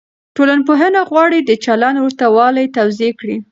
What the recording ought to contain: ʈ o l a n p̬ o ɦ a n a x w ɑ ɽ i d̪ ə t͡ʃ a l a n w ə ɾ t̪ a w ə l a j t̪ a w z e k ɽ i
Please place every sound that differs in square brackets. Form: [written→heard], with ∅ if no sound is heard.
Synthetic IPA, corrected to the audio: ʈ o l a n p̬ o ɦ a n a [x→ɣ] w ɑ ɽ i d̪ ə t͡ʃ a l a n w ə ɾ t̪ a w [ə→ɑ] l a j t̪ a w z e k ɽ i